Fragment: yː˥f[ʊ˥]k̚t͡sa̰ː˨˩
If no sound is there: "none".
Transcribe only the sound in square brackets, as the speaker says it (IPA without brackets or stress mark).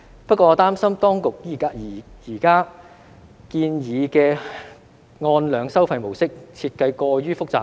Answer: ʊ˥